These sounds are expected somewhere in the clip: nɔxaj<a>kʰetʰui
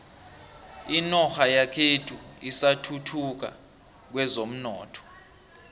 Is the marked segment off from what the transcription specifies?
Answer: no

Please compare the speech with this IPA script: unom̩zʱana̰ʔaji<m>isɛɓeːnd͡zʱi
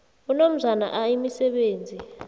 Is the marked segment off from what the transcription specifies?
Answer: no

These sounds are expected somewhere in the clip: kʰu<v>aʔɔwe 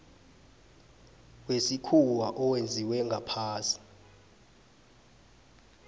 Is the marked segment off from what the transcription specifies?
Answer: yes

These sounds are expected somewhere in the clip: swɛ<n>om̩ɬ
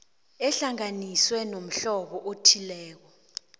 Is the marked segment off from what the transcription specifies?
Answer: no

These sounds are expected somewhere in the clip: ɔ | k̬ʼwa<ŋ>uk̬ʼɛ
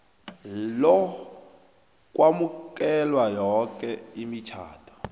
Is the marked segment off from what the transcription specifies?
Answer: yes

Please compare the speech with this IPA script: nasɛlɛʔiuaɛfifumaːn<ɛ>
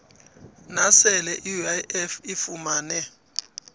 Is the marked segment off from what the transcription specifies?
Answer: no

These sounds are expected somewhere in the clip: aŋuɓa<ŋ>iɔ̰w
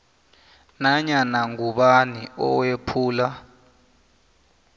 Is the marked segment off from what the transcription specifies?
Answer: yes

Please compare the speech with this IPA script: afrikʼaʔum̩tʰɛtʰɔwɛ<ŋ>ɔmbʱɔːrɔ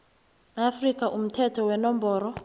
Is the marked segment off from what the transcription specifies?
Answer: yes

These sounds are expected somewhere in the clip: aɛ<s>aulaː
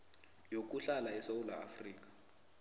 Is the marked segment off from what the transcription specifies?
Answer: no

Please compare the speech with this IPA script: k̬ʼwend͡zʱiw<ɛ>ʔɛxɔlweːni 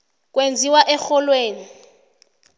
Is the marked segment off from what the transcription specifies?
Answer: yes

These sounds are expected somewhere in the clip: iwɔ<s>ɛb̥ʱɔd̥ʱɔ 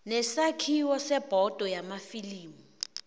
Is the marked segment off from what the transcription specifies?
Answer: no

